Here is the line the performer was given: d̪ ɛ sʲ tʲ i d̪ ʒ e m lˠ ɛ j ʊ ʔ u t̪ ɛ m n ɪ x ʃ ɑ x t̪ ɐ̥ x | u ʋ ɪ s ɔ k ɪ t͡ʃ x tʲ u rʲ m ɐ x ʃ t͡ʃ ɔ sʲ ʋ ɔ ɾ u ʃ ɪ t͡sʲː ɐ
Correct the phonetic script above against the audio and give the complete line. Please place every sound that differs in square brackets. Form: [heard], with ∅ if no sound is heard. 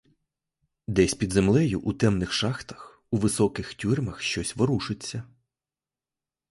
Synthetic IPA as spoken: d̪ ɛ sʲ [pʲ] i d̪ [z] e m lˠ ɛ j ʊ ʔ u t̪ ɛ m n ɪ x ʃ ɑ x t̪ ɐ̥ x | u ʋ ɪ s ɔ k ɪ [∅] x tʲ u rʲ m ɐ x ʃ t͡ʃ ɔ sʲ ʋ ɔ ɾ u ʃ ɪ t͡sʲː ɐ